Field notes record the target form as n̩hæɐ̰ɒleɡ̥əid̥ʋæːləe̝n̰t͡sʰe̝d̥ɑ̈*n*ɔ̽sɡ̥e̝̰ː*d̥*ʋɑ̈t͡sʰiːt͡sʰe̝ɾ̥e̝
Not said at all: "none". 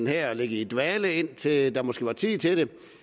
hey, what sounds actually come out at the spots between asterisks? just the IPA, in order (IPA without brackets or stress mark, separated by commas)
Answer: m, none